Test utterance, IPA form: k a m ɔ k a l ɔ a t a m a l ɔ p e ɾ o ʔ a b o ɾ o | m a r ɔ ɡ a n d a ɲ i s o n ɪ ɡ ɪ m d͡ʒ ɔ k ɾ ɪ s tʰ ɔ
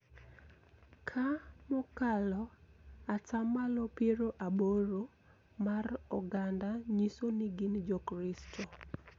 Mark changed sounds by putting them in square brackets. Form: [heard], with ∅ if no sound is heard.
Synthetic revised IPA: [kʰ] a m ɔ k a l ɔ a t a m a l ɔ p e ɾ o ʔ a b o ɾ o | m a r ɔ ɡ a n d a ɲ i s o n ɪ ɡ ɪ [n] d͡ʒ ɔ k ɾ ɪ s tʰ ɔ